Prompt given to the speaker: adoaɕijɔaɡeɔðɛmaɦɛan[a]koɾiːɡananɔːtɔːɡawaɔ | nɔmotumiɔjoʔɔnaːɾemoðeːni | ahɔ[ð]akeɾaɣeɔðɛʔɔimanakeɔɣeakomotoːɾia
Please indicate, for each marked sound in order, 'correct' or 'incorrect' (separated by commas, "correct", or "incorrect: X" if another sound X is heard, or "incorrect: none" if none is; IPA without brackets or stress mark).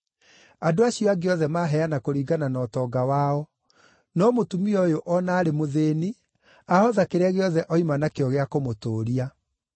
correct, correct